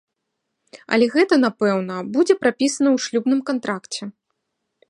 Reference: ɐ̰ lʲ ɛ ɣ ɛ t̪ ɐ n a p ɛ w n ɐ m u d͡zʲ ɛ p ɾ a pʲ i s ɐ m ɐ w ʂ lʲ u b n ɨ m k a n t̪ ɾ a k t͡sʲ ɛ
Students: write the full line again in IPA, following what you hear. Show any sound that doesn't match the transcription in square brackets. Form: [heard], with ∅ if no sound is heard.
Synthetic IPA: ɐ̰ lʲ ɛ ɣ ɛ t̪ ɐ n a p ɛ w n ɐ [b] u d͡zʲ ɛ p ɾ a pʲ i s ɐ [n] ɐ w ʂ lʲ u b n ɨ m k a n t̪ ɾ a k t͡sʲ ɛ